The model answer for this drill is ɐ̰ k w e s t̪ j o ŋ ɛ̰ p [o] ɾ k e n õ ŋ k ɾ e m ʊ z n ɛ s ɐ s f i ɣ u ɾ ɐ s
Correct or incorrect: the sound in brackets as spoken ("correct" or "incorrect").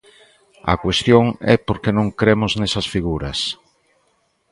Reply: correct